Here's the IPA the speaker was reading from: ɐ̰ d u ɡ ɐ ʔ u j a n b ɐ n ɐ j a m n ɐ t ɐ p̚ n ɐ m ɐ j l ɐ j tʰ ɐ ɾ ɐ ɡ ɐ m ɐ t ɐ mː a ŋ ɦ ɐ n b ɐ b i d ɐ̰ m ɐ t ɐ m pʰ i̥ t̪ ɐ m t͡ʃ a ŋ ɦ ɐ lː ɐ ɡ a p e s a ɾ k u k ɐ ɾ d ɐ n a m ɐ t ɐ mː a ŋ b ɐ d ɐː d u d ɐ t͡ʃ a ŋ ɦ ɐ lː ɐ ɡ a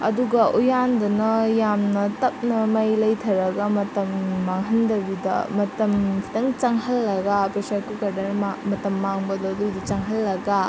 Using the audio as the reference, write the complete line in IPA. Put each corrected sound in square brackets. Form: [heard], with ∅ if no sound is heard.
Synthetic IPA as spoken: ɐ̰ d u ɡ ɐ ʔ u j a n [d] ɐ n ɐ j a m n ɐ t ɐ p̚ n ɐ m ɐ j l ɐ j tʰ ɐ ɾ ɐ ɡ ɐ m ɐ t ɐ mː a ŋ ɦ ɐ n [d] ɐ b i d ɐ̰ m ɐ t ɐ m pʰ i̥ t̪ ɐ [ŋ] t͡ʃ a ŋ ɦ ɐ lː ɐ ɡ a p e s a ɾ k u k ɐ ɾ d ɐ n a m ɐ t ɐ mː a ŋ b ɐ d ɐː d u d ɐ t͡ʃ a ŋ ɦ ɐ lː ɐ ɡ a